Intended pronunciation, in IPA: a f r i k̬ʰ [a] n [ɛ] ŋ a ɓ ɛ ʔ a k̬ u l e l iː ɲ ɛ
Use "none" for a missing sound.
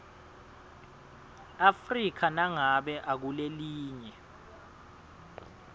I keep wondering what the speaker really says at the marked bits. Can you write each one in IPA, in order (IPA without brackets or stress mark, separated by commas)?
a, a